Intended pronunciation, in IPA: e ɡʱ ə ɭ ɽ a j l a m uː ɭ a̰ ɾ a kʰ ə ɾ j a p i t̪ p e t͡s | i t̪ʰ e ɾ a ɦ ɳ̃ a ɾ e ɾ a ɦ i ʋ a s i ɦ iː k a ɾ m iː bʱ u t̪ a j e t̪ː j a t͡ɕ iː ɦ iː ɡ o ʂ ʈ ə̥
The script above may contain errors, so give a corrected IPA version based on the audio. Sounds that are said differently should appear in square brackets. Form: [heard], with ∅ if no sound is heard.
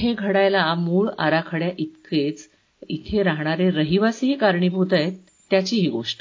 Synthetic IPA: e ɡʱ ə [∅] ɽ a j l a m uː ɭ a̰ ɾ a kʰ ə [ɽ] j a [ʔ] i t̪ [k] e t͡s | i t̪ʰ e ɾ a ɦ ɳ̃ a ɾ e ɾ [ə] ɦ i ʋ a s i ɦ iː k a ɾ [ɳ] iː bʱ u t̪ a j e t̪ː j a t͡ɕ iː ɦ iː ɡ o ʂ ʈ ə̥